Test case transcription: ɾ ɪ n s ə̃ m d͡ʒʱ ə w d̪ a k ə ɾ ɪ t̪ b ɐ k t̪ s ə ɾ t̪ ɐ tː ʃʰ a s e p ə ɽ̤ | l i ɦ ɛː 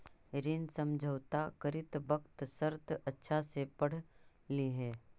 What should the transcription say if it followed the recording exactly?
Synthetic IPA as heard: ɾ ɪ n s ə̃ m d͡ʒʱ ə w t̪ a k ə ɾ ɪ t̪ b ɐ k t̪ s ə ɾ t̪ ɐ tː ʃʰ a s e p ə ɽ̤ | l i ɦ ɛː